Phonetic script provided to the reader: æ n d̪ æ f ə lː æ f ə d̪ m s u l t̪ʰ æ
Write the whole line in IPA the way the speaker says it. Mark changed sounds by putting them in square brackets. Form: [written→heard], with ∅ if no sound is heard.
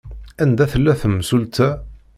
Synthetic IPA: æ n d̪ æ [f→θ] ə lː æ [f→θ] ə [d̪→∅] m s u l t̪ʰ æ